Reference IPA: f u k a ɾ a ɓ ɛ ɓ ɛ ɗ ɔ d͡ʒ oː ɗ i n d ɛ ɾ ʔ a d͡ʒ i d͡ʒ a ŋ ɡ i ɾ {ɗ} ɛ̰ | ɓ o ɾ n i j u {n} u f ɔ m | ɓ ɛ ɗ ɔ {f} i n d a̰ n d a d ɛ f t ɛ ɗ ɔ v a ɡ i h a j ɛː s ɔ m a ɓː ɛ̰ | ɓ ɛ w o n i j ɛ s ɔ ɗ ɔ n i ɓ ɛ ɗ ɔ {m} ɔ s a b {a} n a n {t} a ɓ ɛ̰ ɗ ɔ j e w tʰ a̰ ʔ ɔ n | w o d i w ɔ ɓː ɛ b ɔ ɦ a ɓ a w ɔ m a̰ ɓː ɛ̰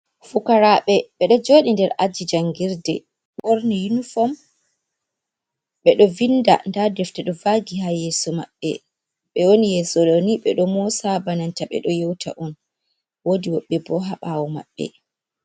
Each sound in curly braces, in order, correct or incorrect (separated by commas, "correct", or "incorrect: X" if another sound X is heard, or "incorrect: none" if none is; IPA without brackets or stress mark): incorrect: d, correct, incorrect: v, correct, correct, correct